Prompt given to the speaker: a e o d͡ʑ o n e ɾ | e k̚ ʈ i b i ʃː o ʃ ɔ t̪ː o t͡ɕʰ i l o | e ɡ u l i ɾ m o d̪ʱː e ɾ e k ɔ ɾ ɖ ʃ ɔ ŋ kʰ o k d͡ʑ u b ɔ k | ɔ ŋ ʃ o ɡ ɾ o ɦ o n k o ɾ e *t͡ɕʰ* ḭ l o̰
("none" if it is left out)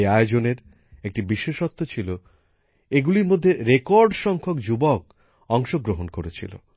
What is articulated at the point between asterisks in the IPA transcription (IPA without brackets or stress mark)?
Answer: t͡ɕʰ